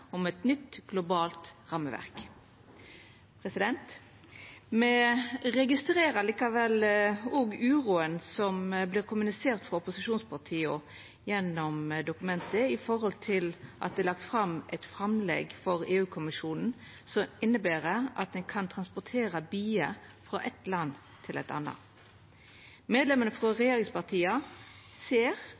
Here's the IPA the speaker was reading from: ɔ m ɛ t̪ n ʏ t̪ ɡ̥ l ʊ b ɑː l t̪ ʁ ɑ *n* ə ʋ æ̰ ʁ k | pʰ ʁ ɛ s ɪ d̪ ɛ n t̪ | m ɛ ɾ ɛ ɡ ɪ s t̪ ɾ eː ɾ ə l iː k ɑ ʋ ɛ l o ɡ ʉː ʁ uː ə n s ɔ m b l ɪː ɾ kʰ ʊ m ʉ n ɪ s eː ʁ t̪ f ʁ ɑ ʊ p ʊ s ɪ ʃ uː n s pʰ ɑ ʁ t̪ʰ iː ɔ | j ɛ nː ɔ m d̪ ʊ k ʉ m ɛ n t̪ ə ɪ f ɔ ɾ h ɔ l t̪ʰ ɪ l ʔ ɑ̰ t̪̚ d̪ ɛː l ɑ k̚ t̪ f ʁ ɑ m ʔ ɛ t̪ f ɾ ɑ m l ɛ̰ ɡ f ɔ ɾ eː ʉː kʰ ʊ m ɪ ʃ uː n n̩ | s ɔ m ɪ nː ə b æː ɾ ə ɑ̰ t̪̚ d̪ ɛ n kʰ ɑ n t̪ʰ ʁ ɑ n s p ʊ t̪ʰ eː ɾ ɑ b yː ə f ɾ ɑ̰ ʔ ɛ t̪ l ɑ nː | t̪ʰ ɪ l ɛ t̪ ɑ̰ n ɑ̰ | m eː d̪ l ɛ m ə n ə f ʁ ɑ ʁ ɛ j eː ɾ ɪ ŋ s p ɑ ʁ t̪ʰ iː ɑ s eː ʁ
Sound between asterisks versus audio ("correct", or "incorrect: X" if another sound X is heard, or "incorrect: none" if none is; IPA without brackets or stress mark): incorrect: m